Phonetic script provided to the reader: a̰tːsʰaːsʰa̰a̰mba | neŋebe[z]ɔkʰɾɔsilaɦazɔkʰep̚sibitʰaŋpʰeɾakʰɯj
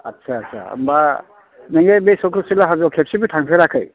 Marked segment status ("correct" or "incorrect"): incorrect